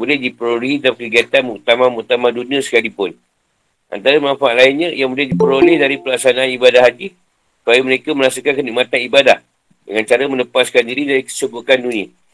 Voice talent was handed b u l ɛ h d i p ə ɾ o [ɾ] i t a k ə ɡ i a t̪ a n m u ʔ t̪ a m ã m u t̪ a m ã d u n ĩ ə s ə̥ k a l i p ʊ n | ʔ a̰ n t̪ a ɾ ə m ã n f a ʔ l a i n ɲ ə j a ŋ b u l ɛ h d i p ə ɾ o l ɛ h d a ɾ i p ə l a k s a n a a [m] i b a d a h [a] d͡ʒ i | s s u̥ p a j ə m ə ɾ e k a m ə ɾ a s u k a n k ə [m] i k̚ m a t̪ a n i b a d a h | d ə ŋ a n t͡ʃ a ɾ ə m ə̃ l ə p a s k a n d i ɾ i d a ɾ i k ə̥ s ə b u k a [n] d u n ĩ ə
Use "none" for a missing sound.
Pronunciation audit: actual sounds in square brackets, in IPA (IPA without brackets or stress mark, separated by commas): l, n, a, n, n